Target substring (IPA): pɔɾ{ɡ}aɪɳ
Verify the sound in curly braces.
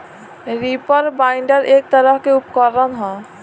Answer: incorrect: b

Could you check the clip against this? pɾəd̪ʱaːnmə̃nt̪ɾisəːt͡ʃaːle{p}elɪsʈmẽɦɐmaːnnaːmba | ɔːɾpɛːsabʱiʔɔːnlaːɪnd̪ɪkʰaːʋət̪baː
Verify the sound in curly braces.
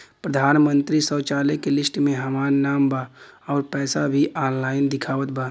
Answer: incorrect: k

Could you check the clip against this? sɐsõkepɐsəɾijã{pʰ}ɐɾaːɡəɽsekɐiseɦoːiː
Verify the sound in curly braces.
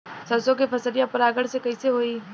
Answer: incorrect: p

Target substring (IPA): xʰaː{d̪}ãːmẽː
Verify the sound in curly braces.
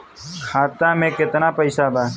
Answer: incorrect: t̪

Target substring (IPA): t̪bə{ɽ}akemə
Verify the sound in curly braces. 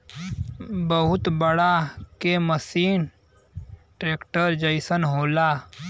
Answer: correct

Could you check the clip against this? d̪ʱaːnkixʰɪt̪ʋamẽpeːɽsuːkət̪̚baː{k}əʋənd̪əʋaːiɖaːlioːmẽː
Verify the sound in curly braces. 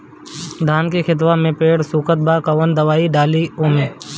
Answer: correct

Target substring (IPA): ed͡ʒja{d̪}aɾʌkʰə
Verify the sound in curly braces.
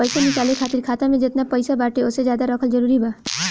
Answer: correct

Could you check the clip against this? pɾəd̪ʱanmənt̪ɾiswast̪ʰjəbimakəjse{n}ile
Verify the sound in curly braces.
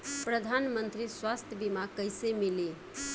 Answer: incorrect: m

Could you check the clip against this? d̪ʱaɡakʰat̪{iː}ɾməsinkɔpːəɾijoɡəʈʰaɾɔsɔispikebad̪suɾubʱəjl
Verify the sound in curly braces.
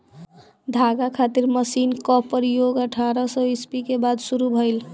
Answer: incorrect: i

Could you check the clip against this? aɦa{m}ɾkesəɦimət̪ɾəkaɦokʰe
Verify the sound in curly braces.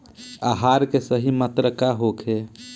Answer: incorrect: none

